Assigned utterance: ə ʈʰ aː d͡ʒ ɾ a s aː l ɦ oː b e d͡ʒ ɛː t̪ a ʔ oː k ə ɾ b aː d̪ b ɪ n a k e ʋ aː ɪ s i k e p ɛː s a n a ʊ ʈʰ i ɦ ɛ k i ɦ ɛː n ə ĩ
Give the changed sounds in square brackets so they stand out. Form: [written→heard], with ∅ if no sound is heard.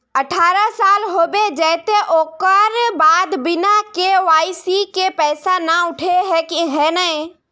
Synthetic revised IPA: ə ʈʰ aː [d͡ʒ→∅] ɾ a s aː l ɦ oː b e d͡ʒ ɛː t̪ [a→e] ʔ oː k ə ɾ b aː d̪ b ɪ n a k e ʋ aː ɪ s i k e p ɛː s a n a ʊ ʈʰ [i→e] ɦ ɛ k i ɦ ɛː n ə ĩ